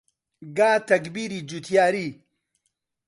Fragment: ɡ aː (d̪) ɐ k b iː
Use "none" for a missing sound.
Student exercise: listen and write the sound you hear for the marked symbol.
t̪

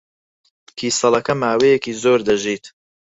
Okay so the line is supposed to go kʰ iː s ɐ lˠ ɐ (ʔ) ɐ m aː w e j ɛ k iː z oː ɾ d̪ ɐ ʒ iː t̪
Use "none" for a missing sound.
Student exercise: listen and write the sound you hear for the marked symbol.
k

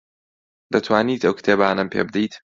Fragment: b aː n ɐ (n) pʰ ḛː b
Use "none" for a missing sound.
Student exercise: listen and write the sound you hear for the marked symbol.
m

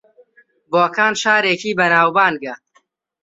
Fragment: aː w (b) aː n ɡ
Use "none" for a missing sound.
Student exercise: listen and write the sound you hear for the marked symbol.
b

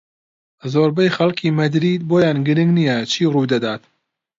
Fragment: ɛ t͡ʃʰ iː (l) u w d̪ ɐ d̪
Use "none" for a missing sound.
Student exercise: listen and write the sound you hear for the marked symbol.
r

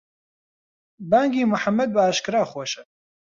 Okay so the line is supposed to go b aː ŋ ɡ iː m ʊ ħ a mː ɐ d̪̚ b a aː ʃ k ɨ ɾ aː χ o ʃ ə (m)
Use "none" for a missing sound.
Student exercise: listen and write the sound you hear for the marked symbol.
none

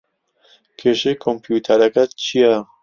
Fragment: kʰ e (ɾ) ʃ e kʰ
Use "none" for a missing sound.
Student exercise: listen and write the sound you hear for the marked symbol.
none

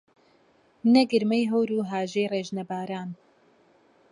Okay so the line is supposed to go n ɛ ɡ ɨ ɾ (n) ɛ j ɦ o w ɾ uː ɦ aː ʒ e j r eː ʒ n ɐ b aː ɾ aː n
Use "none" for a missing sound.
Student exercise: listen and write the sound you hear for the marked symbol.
m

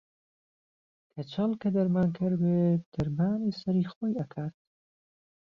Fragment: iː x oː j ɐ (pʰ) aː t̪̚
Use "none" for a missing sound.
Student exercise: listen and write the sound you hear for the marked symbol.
kʰ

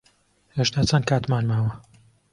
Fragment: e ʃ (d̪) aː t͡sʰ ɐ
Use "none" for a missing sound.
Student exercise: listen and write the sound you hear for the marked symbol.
t̪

